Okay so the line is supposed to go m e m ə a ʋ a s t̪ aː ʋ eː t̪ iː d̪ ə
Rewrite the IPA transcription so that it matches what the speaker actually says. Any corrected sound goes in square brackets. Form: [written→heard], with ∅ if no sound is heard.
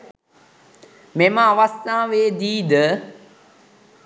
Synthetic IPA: m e m ə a ʋ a s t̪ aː ʋ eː [t̪→d̪] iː d̪ ə